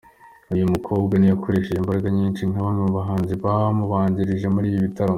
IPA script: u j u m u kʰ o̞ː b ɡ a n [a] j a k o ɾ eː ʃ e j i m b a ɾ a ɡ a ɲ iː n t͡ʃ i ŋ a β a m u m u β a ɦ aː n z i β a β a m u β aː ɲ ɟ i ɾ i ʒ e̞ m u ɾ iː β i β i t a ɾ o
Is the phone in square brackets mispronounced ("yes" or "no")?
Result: yes